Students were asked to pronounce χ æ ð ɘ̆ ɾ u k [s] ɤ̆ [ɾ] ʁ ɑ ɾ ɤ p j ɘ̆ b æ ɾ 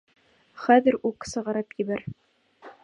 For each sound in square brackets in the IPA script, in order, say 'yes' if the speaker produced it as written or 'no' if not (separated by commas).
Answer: yes, no